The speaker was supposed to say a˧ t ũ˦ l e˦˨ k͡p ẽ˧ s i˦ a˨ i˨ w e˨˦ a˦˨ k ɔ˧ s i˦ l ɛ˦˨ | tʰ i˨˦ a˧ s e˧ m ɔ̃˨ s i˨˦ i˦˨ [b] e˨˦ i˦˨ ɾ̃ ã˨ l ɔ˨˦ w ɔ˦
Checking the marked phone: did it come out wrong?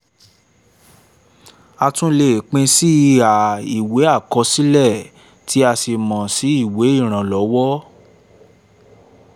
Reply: yes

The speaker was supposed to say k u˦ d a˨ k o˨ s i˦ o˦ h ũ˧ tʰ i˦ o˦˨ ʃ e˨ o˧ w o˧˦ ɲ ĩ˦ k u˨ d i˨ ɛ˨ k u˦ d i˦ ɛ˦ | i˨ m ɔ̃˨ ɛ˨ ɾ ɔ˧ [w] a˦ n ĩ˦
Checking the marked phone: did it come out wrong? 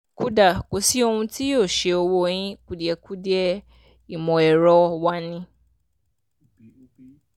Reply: no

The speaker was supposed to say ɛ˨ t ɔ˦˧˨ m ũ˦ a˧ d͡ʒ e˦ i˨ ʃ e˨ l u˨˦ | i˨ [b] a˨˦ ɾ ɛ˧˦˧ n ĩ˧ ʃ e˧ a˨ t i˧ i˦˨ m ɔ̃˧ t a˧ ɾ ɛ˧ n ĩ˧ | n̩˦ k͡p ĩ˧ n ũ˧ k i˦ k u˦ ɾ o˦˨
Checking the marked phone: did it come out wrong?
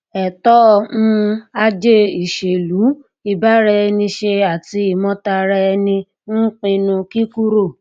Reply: no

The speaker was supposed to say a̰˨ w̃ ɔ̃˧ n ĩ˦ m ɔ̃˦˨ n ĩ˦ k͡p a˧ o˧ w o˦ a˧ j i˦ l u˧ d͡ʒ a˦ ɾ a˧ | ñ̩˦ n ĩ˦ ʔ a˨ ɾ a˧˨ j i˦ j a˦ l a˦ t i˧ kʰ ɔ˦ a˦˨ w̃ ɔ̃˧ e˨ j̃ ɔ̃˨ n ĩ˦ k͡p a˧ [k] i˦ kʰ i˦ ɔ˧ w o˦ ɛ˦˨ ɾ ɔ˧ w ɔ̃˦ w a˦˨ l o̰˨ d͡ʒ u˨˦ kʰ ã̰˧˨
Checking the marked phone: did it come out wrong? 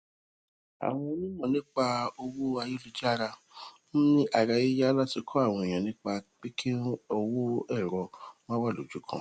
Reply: yes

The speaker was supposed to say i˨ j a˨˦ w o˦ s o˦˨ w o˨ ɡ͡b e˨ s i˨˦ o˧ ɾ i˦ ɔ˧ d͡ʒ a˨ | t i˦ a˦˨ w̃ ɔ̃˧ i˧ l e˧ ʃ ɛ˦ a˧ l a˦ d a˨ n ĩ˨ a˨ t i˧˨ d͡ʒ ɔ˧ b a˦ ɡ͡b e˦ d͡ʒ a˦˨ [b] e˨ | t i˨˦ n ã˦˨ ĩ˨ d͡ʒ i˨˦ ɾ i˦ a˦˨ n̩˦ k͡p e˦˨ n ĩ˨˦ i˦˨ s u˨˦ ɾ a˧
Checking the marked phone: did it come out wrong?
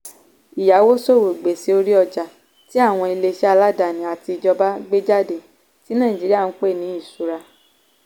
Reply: yes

